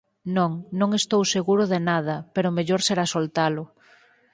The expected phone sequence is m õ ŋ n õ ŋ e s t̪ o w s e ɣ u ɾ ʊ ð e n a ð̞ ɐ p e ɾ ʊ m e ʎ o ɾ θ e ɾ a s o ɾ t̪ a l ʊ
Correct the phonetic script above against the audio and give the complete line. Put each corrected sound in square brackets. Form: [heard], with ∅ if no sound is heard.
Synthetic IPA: [n] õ ŋ n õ ŋ e s t̪ o w s e ɣ u ɾ ʊ ð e n a ð̞ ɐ p e ɾ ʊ m e ʎ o ɾ [s] e ɾ a s o [l] t̪ a l ʊ